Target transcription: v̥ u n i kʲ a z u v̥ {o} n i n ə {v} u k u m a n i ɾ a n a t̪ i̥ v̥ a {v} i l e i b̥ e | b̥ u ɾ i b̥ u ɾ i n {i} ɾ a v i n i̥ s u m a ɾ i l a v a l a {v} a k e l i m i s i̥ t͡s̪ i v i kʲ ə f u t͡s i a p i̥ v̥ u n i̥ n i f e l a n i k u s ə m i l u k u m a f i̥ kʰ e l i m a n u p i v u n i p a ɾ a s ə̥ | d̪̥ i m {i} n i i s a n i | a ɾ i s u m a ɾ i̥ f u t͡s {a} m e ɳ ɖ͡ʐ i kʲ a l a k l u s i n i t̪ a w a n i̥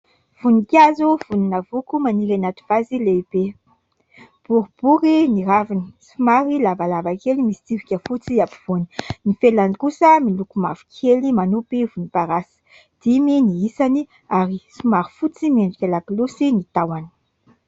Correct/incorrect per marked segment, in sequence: incorrect: u, correct, incorrect: z, correct, correct, correct, incorrect: i

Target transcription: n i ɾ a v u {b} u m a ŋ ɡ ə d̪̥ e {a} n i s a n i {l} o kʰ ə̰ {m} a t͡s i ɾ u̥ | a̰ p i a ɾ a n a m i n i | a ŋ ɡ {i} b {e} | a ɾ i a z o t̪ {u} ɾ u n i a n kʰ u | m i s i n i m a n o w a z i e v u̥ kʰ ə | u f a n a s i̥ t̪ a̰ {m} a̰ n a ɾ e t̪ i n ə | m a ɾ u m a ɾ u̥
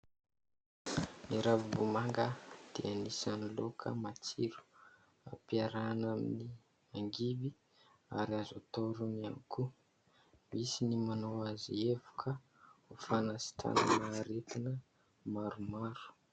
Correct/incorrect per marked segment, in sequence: correct, correct, correct, correct, correct, incorrect: i, incorrect: o, incorrect: n

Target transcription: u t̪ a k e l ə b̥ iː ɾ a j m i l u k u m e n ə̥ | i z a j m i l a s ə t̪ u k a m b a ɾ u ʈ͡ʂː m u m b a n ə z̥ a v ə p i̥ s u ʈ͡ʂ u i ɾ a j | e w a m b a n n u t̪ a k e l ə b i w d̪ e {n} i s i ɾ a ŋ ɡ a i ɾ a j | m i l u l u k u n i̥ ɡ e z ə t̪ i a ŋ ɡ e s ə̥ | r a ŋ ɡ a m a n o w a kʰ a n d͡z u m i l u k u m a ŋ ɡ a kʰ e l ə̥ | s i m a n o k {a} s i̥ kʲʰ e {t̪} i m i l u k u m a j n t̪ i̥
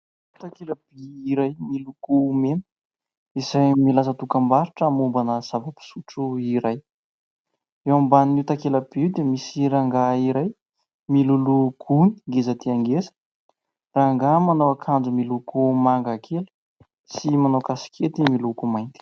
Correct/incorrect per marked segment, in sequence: incorrect: m, correct, correct

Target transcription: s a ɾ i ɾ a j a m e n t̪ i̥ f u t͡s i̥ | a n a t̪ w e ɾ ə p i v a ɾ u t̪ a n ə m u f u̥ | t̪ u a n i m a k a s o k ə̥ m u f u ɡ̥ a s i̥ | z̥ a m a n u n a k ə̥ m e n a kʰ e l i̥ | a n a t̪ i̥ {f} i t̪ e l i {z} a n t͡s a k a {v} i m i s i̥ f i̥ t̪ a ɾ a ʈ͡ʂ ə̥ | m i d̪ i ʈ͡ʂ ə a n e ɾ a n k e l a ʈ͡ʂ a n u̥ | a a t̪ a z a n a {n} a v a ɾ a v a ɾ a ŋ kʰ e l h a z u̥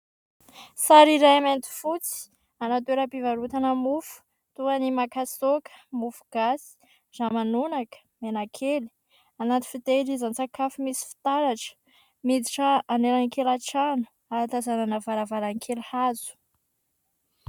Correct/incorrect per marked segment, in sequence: correct, correct, incorrect: f, correct

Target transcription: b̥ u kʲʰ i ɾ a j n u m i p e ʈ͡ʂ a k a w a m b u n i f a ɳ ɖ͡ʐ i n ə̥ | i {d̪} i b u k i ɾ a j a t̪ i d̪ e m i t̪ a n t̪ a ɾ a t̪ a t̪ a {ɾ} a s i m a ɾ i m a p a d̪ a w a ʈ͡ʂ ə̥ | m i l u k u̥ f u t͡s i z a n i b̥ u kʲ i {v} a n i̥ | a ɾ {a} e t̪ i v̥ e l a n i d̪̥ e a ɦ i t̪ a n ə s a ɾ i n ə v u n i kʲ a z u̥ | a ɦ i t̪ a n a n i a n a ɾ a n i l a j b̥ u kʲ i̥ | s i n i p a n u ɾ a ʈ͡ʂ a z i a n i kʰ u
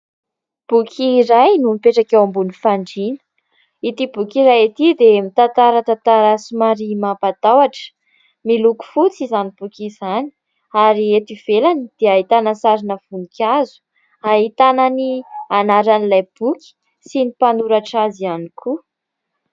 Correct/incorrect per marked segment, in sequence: incorrect: t̪, correct, incorrect: z, incorrect: i

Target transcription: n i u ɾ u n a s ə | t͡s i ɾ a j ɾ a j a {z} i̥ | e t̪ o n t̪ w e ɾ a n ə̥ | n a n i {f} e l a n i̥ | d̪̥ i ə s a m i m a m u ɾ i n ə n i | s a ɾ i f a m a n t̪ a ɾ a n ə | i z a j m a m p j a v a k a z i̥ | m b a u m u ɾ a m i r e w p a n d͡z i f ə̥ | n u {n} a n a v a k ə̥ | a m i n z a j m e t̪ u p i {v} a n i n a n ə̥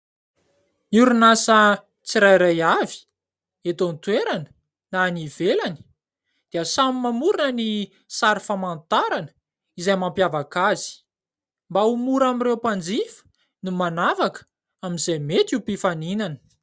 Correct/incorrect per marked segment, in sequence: incorrect: v, incorrect: v, incorrect: m, incorrect: f

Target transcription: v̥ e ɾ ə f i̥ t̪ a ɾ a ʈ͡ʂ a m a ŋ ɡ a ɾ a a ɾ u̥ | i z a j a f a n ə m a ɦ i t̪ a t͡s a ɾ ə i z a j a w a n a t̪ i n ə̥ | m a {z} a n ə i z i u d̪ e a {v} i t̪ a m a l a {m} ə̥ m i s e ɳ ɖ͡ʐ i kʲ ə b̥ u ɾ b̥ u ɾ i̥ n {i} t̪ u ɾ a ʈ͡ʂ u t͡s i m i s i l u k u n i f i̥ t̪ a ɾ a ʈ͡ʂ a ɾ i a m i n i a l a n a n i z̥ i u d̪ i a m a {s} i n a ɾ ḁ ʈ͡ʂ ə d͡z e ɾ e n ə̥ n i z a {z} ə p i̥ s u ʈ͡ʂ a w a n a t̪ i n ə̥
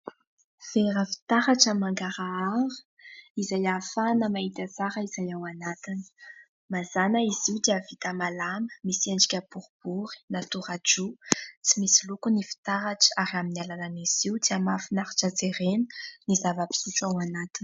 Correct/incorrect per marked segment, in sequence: correct, correct, correct, incorrect: a, incorrect: f, incorrect: v

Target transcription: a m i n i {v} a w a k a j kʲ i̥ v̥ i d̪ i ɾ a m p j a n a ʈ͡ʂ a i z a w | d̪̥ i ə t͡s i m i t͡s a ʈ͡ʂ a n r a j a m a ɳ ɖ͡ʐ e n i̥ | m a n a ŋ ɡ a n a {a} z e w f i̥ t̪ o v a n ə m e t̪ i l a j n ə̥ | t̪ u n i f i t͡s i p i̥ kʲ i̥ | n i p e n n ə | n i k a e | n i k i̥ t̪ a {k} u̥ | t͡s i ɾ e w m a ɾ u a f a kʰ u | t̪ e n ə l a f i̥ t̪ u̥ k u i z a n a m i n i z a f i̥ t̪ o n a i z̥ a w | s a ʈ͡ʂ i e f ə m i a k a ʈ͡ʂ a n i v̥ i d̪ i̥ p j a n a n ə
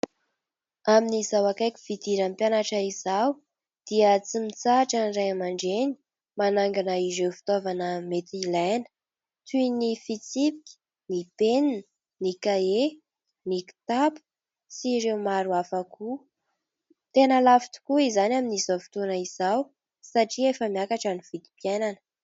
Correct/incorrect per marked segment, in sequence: incorrect: z, incorrect: i, incorrect: p

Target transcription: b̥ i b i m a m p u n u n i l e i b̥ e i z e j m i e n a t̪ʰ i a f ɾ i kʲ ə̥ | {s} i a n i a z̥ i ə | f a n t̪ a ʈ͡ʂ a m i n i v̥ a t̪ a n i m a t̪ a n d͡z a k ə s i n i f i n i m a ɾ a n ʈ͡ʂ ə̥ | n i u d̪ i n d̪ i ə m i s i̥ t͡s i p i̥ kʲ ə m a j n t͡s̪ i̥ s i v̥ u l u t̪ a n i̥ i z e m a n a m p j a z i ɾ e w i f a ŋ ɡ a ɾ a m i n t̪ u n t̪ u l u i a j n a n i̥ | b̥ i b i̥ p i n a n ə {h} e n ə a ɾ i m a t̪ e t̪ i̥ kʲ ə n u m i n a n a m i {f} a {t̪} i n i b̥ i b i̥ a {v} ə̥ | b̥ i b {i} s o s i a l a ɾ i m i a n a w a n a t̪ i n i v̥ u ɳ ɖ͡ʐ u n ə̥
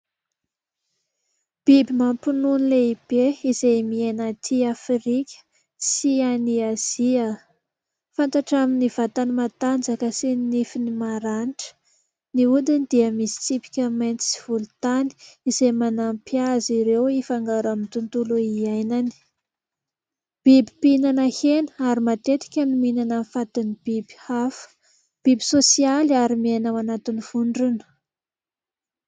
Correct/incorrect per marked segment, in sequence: correct, correct, correct, correct, incorrect: f, correct

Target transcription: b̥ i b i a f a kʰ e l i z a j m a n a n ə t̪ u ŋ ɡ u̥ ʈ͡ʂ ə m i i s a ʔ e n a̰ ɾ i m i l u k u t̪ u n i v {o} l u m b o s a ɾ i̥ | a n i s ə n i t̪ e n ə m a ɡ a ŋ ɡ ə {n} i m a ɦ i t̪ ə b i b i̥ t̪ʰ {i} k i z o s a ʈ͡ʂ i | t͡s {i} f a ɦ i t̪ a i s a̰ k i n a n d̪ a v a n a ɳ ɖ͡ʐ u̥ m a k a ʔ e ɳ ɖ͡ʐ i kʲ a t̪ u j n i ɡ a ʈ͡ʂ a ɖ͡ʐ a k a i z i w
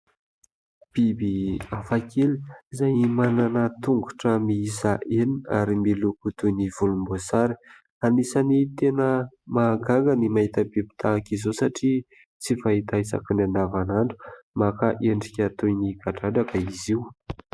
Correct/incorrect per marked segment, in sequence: incorrect: u, correct, incorrect: a, correct

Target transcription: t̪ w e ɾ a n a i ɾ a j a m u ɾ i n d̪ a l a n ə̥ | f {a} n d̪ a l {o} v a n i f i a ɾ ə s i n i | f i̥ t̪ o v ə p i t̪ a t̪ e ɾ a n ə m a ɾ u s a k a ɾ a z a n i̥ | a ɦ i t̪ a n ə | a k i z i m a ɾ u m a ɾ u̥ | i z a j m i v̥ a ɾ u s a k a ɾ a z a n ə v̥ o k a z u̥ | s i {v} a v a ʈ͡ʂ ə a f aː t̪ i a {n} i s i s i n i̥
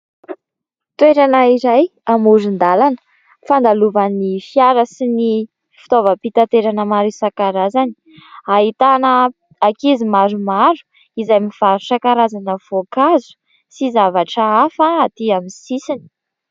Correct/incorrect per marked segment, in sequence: correct, incorrect: u, incorrect: z, incorrect: m

